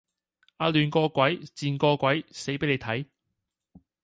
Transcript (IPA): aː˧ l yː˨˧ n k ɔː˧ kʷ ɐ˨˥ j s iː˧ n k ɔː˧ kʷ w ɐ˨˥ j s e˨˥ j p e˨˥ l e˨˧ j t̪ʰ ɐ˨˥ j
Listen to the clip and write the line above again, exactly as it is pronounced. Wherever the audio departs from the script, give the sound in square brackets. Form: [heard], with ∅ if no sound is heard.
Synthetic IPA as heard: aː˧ l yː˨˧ n k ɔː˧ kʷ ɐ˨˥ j [t͡s] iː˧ n k ɔː˧ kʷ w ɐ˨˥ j s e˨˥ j p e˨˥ l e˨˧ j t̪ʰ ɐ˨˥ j